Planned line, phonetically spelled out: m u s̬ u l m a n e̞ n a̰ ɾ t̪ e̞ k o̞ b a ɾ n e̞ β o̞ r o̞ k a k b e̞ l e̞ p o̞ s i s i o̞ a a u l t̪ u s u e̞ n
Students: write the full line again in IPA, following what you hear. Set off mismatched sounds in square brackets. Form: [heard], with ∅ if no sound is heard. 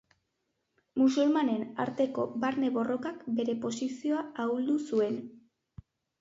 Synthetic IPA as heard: m u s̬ u l m a n e̞ n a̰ ɾ t̪ e̞ k o̞ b a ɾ n e̞ β o̞ r o̞ k a k b e̞ [ɾ] e̞ p o̞ s i s i o̞ a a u l [d̪] u s u e̞ n